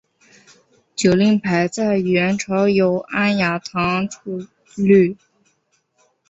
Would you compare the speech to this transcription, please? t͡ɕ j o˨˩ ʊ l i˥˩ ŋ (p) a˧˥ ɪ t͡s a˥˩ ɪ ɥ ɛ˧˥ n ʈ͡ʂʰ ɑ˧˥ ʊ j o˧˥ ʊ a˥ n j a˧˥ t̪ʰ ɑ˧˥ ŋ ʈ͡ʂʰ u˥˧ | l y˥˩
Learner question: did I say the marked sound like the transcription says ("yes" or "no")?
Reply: no